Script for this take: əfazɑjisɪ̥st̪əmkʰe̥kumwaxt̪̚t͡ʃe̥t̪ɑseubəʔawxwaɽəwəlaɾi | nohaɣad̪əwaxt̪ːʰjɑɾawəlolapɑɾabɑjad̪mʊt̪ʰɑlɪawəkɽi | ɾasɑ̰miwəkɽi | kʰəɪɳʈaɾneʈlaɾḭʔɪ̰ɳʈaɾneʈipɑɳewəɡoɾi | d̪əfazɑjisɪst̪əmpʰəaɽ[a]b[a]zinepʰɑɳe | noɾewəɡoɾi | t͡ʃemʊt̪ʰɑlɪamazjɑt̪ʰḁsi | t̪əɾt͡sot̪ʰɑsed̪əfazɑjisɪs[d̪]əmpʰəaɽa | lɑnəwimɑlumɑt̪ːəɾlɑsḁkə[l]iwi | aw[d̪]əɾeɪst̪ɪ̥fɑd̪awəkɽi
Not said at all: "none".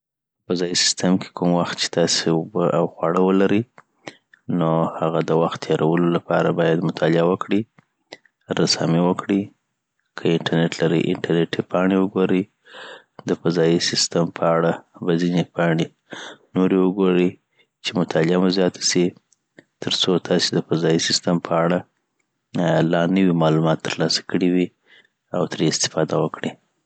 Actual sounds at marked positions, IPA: a, a, t̪, ɽ, t̪

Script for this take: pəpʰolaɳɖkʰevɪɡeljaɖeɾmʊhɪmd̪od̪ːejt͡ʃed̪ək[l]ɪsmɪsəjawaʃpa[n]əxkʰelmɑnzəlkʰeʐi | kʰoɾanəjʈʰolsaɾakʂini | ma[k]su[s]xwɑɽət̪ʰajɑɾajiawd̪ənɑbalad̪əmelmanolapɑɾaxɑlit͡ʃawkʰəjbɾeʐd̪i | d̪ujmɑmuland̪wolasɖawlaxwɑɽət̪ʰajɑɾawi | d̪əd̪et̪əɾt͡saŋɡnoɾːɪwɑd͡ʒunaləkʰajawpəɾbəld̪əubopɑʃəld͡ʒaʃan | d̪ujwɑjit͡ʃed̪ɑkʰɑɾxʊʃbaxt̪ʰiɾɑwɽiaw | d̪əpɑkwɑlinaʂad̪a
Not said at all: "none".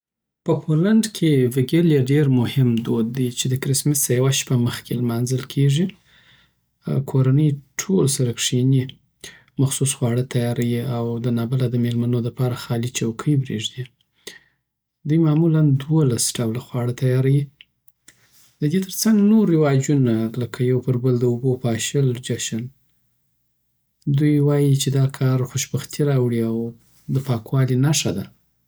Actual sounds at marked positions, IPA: ɾ, m, x, s

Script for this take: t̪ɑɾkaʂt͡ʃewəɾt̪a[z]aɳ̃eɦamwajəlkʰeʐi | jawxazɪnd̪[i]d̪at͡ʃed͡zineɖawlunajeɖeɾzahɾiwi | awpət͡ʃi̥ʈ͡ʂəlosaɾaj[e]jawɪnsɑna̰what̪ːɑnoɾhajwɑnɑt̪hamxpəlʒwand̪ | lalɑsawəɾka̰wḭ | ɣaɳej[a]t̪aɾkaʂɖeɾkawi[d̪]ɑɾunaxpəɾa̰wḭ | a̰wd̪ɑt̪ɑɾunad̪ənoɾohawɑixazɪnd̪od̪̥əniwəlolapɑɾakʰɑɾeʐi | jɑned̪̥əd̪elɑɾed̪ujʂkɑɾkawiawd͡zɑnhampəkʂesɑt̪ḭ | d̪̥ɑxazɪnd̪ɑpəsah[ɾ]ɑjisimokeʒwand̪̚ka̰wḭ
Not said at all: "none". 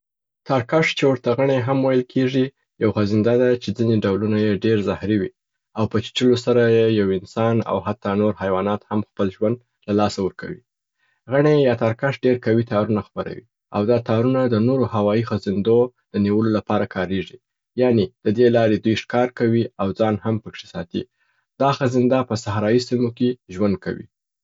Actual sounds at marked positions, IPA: ɣ, a, e, ɑ, t̪, ɾ

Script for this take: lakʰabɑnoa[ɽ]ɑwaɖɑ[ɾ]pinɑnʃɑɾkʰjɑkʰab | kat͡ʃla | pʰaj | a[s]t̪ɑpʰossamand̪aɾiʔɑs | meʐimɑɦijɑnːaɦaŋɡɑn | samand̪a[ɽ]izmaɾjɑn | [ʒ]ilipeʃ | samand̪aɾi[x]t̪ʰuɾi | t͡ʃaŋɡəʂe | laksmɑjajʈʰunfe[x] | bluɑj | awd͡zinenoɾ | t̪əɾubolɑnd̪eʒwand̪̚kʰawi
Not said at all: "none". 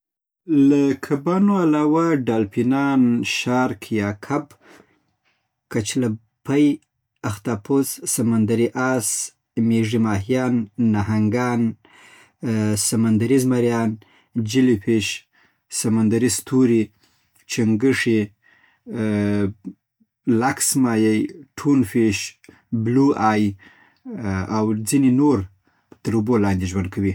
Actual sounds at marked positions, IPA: l, l, x, ɾ, d͡ʒ, s, ʃ

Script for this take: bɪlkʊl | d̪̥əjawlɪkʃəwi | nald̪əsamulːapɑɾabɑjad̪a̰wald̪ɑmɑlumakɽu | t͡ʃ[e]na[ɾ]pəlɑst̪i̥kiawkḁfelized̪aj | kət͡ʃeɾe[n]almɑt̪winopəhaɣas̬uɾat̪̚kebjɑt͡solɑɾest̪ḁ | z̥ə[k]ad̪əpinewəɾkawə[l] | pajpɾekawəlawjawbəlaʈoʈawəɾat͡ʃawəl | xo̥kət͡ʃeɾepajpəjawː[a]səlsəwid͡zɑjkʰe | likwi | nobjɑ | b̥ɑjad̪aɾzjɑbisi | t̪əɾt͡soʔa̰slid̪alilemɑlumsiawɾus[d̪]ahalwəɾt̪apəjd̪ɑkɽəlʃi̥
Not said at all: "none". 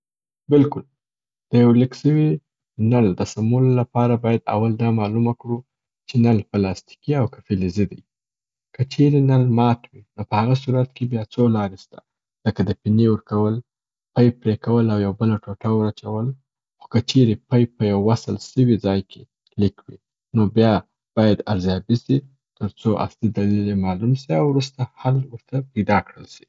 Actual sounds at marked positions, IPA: e, l, n, k, l, a, t̪

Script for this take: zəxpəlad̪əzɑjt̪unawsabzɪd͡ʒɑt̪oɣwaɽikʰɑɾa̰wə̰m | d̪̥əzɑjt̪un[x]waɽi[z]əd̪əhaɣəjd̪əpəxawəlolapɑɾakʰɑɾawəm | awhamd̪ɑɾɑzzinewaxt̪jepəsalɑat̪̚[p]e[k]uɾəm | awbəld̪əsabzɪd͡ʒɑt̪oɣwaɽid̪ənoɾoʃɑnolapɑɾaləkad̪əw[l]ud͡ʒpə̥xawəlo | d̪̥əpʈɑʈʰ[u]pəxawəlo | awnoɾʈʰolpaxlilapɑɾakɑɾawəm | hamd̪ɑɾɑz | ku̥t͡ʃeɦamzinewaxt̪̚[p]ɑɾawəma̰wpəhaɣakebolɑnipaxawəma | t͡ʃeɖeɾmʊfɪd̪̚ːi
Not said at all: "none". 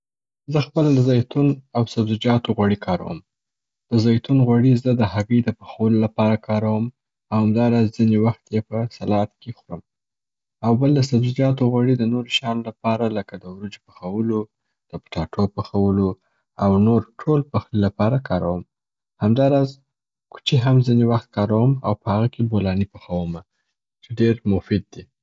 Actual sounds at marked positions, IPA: ɣ, z, k, x, ɾ, o, k

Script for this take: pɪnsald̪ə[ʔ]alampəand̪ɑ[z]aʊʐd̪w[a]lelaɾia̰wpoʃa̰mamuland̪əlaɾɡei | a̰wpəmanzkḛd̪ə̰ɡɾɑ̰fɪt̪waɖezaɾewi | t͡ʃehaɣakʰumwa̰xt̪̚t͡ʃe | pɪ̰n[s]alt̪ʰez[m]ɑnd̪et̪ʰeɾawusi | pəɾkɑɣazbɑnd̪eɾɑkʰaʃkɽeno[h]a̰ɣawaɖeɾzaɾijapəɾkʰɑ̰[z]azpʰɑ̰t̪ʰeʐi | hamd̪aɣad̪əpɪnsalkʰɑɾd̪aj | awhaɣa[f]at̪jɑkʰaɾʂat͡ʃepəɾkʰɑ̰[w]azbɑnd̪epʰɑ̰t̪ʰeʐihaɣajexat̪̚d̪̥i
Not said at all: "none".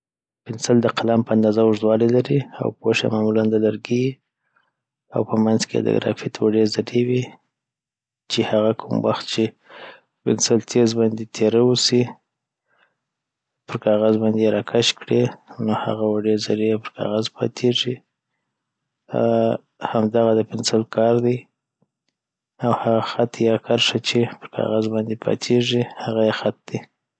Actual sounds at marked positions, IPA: q, z, ɑ, s, b, h, ɣ, x, ɣ

